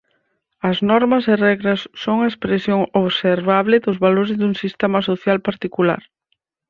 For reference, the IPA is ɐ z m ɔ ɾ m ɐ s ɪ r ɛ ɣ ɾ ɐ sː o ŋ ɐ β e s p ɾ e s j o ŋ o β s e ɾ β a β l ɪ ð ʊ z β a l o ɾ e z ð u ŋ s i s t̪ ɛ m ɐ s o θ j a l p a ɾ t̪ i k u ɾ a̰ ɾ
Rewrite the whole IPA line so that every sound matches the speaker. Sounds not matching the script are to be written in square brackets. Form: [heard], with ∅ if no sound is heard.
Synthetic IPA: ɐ z [n] ɔ ɾ m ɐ s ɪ r ɛ ɣ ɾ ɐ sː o ŋ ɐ [∅] e s p ɾ e s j o ŋ o β s e ɾ β a β l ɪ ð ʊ z β a l o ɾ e z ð u ŋ s i s t̪ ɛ m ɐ s o θ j a l p a ɾ t̪ i k u [l] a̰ ɾ